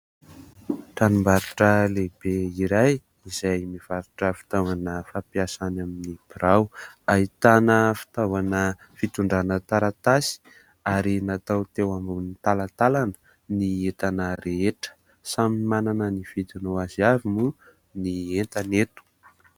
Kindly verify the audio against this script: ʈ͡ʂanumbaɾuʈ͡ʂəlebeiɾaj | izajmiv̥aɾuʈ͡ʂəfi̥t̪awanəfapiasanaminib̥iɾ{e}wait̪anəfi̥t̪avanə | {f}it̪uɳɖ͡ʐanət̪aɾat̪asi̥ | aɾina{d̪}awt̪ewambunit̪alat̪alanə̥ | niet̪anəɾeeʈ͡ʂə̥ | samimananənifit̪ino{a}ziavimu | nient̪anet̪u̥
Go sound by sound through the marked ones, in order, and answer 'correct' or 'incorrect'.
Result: incorrect: a, correct, incorrect: t̪, correct

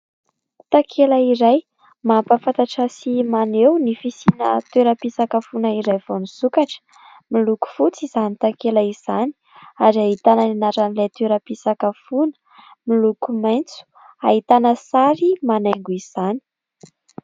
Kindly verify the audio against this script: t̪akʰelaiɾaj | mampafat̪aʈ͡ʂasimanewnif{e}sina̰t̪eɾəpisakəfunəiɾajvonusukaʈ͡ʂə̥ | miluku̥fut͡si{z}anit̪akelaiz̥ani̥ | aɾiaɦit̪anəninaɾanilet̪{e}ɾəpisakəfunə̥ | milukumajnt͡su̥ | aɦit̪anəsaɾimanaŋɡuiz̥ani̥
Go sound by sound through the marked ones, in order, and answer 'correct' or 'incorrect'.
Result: incorrect: i, correct, correct

